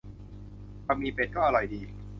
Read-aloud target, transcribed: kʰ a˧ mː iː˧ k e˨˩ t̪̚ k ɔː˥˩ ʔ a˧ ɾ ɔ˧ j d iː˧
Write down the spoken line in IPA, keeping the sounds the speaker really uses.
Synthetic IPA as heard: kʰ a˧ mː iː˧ p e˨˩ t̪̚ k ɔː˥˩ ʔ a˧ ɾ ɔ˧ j d iː˧

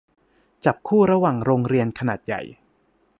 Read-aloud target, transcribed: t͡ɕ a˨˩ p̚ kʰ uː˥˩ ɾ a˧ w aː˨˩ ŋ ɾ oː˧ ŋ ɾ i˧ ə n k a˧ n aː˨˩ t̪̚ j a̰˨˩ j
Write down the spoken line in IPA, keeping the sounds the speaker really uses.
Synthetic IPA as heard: t͡ɕ a˨˩ p̚ kʰ uː˥˩ ɾ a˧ w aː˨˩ ŋ ɾ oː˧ ŋ ɾ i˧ ə n kʰ a˧ n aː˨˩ t̪̚ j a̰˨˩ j

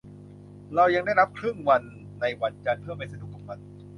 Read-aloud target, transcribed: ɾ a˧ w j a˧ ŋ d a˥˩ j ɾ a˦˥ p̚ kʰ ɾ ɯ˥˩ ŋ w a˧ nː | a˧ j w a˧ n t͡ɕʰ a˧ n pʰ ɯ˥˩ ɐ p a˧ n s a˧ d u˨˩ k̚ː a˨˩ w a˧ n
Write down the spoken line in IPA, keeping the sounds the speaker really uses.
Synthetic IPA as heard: ɾ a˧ w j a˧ ŋ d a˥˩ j ɾ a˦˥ p̚ kʰ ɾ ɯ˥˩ ŋ w a˧ nː | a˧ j w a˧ n t͡ɕ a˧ n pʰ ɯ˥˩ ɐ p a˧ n s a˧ d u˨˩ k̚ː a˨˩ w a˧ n

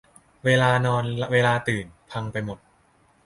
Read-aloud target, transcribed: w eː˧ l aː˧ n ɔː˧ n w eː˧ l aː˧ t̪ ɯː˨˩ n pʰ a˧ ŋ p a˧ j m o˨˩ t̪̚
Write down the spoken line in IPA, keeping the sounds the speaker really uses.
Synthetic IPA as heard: w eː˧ l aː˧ n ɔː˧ n w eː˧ l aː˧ t̪ ɯː˨˩ n pʰ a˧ ŋ p a˧ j m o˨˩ t̪̚

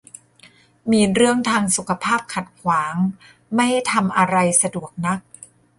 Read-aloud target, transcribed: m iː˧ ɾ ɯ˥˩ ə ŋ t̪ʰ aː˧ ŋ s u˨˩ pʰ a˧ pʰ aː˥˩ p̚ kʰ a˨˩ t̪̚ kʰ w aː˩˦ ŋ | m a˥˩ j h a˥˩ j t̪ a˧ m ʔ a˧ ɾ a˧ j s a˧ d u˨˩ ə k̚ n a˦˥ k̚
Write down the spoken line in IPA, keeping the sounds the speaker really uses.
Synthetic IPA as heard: m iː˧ ɾ ɯ˥˩ ə ŋ t̪ʰ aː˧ ŋ s u˨˩ kʰ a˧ pʰ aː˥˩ p̚ kʰ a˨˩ t̪̚ kʰ w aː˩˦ ŋ | m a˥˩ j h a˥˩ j t̪ʰ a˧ m ʔ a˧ ɾ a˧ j s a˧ d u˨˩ ə k̚ n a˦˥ k̚

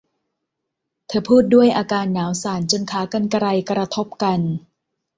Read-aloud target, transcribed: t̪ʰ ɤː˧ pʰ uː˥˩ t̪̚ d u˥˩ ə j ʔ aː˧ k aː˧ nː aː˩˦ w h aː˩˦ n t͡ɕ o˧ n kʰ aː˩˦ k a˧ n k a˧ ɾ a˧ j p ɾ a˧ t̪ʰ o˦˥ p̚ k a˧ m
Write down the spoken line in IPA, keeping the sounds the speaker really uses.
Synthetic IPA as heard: t̪ʰ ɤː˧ pʰ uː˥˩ t̪̚ d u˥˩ ə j ʔ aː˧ k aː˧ nː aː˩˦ w s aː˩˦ n t͡ɕ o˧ n kʰ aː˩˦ k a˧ n k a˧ ɾ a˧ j k ɾ a˧ t̪ʰ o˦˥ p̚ k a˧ n

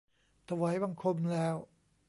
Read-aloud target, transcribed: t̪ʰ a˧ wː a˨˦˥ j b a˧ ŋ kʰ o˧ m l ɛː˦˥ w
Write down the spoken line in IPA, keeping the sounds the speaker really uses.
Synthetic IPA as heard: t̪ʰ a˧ w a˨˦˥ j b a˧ ŋ kʰ o˧ m l ɛː˦˥ w

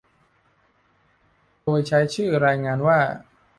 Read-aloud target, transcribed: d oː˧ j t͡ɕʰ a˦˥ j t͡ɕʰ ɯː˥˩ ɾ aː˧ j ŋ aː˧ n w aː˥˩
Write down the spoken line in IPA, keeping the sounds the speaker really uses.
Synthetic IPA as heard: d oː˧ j t͡ɕʰ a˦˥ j t͡ɕʰ ɯː˥˩ ɾ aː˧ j ŋ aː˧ n w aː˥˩

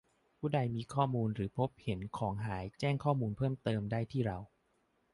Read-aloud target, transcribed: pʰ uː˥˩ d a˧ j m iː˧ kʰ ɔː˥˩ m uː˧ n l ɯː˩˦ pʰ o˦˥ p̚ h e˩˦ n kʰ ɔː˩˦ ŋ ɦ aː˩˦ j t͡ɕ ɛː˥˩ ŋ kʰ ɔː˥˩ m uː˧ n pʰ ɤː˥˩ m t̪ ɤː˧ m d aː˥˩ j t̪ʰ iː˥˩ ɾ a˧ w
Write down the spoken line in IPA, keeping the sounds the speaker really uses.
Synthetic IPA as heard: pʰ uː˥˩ d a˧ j m iː˧ kʰ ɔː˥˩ m uː˧ n ɾ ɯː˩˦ pʰ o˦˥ p̚ h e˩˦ n kʰ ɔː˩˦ ŋ ɦ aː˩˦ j t͡ɕ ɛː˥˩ ŋ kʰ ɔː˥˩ m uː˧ n pʰ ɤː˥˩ m t̪ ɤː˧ m d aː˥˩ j t̪ʰ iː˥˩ ɾ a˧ w

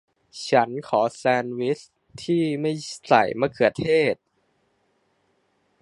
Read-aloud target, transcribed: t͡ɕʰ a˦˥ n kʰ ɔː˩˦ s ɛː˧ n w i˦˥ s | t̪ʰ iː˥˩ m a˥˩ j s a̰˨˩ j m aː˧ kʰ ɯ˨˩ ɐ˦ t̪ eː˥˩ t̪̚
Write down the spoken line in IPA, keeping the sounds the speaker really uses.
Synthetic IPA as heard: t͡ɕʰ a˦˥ n kʰ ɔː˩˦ s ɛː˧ n w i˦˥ s | t̪ʰ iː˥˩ m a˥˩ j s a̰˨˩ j m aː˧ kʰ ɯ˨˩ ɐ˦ t̪ʰ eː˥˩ t̪̚

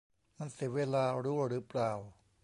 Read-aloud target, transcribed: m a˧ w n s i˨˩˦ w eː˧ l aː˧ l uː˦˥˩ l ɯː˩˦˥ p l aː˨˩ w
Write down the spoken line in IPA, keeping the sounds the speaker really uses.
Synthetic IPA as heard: m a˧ n s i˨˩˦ w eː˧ l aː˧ ɾ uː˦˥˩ ɾ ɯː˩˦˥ p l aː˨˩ w

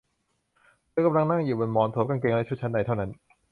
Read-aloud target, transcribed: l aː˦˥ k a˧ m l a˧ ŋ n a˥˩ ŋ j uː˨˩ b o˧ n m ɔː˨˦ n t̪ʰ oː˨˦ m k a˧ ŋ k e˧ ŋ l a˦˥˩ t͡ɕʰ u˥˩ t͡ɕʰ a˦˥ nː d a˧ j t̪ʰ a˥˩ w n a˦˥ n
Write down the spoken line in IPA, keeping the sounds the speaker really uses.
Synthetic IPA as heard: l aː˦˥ k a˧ m l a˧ ŋ n a˥˩ ŋ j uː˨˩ b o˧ n m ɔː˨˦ n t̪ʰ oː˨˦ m k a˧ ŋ k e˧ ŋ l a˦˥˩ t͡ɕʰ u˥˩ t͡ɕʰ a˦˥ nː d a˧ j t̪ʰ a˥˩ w n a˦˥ n

